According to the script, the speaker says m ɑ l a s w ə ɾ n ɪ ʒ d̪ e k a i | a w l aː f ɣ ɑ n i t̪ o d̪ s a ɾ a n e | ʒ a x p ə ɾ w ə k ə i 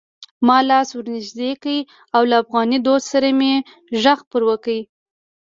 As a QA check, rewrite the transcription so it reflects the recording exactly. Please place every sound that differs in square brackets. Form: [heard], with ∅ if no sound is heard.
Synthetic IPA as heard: m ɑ l [ɑ] s w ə ɾ n ɪ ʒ d̪ e k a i | a w l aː f ɣ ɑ n i [d̪] o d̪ s a ɾ a [m] e | ʒ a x p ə ɾ w ə k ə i

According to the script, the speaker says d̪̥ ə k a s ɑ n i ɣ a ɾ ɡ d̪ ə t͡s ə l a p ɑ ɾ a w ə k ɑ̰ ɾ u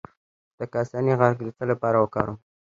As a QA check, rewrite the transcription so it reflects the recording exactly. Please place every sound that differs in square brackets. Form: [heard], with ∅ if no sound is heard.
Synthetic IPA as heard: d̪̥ ə k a s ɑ n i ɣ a ɾ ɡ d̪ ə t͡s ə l a p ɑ ɾ a w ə k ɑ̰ ɾ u

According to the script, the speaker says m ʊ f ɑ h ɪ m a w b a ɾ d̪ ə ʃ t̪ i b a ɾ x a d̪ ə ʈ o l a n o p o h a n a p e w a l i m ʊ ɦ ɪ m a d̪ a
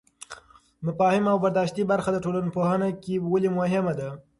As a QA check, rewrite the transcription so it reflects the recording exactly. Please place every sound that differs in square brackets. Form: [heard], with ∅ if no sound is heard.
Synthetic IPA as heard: m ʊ f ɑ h ɪ m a w b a ɾ d̪ [ɑ] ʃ t̪ i b a ɾ x a d̪ ə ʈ o l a n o p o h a n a [k] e w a l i m ʊ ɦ ɪ m a d̪ a

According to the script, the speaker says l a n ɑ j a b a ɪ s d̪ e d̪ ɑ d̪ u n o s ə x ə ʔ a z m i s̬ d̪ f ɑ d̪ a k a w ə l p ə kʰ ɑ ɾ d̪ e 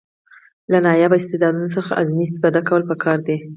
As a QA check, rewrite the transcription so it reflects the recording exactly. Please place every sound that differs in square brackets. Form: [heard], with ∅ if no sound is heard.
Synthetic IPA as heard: l a n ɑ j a b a ɪ s [t̪] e d̪ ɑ d̪ u n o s ə x [a] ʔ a z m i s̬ [t̪] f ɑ d̪ a k a w ə l p ə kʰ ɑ ɾ d̪ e

